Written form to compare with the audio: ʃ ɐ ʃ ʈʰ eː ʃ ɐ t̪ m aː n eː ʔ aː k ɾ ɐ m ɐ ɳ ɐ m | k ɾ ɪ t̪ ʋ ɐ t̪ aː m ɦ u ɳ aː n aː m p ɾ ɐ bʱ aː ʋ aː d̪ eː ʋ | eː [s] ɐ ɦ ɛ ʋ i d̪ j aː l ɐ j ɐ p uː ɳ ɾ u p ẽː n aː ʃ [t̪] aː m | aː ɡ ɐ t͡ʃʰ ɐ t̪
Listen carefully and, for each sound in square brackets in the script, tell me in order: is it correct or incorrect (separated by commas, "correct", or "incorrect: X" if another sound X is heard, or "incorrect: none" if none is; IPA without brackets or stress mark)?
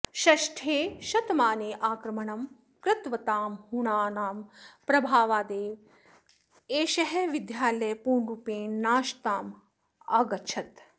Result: incorrect: ʃ, correct